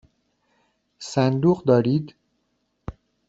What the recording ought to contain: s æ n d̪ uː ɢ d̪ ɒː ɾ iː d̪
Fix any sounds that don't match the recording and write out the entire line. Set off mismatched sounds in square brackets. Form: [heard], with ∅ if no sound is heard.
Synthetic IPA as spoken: s æ n d̪ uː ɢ d̪ ɒː ɾ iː d̪